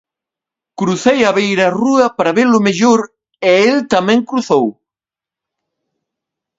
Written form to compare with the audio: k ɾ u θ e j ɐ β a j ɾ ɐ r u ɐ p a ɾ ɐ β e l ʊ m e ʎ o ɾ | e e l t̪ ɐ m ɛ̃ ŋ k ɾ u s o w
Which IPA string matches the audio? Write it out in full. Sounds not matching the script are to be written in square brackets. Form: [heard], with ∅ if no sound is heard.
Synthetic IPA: k ɾ u θ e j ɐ β [e] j ɾ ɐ r u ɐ p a ɾ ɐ β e l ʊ m e ʎ o ɾ | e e l t̪ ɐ m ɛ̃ ŋ k ɾ u [θ] o w